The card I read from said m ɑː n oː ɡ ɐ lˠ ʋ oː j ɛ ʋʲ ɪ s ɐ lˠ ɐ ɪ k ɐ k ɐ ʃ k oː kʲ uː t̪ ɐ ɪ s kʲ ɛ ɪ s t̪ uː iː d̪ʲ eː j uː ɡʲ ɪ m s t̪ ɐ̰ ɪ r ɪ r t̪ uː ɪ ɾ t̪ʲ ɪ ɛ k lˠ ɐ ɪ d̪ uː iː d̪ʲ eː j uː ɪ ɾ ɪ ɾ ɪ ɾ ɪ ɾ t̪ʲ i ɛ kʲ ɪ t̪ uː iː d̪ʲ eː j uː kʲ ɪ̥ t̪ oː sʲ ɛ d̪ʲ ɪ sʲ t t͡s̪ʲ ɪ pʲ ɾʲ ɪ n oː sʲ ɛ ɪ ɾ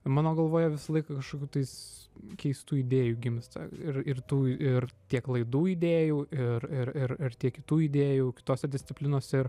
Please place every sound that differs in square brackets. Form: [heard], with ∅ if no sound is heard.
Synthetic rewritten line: m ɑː n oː ɡ ɐ lˠ ʋ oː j ɛ ʋʲ ɪ s ɐ lˠ ɐ ɪ k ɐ k ɐ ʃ k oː kʲ uː t̪ ɐ ɪ s kʲ ɛ ɪ s t̪ uː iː d̪ʲ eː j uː ɡʲ ɪ m s t̪ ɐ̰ ɪ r ɪ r t̪ uː ɪ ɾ t̪ʲ [i] ɛ k lˠ ɐ ɪ d̪ uː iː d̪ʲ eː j uː ɪ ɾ ɪ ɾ ɪ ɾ ɪ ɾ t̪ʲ i ɛ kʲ ɪ t̪ uː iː d̪ʲ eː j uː kʲ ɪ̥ t̪ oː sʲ ɛ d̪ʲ ɪ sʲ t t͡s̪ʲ ɪ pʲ [lʲ] ɪ n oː sʲ ɛ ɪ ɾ